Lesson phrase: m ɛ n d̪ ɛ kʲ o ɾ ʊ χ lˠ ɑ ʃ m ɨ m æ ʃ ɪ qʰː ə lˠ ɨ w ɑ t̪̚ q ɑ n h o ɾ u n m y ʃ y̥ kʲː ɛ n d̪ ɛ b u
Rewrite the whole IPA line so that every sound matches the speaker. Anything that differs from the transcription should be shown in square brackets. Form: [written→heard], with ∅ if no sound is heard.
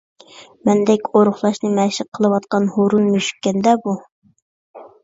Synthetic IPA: m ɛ n d̪ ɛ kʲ o ɾ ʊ χ lˠ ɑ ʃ [m→n] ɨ m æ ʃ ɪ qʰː ə lˠ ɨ w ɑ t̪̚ q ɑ n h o ɾ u n m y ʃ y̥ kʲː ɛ n d̪ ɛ b u